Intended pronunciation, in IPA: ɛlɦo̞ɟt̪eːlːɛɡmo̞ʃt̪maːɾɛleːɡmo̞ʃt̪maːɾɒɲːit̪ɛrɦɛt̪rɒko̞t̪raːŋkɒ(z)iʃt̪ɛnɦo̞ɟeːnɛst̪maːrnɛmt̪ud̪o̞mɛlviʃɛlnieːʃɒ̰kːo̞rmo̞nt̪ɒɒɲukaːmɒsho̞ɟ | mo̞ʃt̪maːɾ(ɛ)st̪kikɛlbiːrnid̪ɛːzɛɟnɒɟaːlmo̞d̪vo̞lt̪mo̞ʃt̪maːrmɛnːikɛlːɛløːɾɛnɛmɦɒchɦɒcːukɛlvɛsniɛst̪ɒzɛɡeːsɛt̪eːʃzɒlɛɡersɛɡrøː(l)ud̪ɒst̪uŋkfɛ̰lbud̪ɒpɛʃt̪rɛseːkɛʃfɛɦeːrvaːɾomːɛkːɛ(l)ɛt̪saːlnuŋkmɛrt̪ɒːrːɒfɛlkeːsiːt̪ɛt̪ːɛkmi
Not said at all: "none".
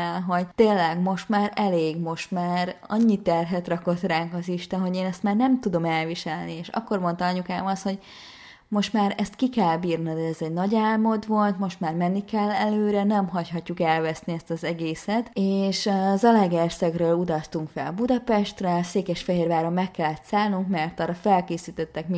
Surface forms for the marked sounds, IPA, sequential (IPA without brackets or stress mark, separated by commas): z, ɛ, l, lː